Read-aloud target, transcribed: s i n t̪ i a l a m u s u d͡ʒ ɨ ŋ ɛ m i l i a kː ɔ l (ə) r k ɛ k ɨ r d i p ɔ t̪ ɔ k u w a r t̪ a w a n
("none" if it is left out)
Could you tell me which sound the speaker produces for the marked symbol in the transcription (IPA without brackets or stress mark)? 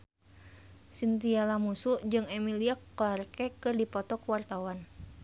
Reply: a